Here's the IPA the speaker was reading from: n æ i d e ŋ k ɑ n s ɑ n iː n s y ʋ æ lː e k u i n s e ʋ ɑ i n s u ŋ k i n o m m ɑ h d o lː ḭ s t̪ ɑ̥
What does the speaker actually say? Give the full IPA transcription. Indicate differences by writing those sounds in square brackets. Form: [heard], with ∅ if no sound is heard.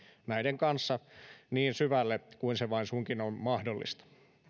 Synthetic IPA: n æ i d e ŋ k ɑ n [sː] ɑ n iː n s y ʋ æ lː e k u i n s e ʋ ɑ i n s u ŋ k i n o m m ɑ h d o lː ḭ s t̪ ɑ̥